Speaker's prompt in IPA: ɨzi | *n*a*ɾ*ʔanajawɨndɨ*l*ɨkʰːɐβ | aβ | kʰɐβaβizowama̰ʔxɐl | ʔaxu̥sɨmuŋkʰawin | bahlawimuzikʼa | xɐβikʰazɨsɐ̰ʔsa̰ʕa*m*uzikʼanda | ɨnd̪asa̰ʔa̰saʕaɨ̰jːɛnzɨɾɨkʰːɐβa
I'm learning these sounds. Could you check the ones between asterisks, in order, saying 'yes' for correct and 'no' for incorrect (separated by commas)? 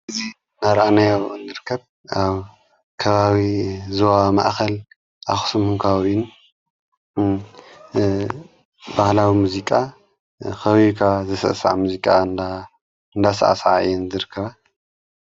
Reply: yes, yes, no, yes